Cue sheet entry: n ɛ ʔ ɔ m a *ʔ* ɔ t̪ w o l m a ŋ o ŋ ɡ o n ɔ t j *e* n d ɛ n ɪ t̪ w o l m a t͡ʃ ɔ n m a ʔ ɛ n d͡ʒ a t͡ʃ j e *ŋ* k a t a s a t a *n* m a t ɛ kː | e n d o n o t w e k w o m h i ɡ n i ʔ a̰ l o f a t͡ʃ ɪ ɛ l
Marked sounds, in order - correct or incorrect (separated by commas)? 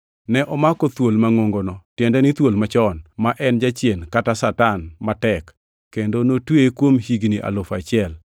incorrect, incorrect, incorrect, correct